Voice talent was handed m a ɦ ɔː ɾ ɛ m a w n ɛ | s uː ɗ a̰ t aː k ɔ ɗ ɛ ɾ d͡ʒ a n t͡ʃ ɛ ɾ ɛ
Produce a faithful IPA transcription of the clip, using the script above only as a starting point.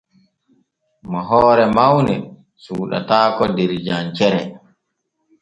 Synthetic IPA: m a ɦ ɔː ɾ ɛ m a w n ɛ | s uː ɗ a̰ t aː k ɔ d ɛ ɾ d͡ʒ a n t͡ʃ ɛ ɾ ɛ